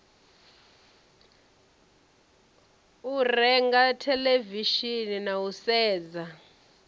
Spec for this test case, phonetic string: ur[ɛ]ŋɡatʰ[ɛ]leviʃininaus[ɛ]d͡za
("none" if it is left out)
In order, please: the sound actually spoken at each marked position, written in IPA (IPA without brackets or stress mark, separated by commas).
ɛ, ɛ, ɛː